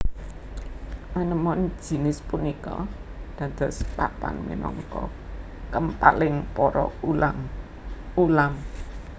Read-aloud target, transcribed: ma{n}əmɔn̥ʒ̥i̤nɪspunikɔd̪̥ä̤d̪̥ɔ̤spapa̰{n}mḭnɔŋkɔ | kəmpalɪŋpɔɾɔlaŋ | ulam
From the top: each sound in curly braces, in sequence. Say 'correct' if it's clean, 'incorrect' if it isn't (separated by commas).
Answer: correct, correct